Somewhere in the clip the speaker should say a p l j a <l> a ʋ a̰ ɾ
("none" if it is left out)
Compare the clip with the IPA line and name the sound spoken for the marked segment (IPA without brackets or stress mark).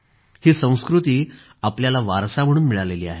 l